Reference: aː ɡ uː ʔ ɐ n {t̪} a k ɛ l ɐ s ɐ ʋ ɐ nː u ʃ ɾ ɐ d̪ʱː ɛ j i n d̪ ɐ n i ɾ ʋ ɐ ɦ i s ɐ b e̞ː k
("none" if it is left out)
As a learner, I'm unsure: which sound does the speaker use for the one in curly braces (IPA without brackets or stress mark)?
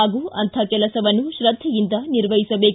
t̪ʰ